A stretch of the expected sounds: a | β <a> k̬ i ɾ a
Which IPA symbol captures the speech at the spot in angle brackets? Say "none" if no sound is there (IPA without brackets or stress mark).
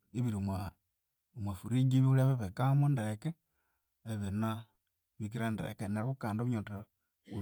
i